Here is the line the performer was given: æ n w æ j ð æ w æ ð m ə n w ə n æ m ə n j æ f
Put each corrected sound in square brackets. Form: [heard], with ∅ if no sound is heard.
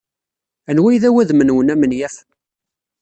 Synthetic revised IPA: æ n w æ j ð æ w æ ð m ə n w ə n æ m ə n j æ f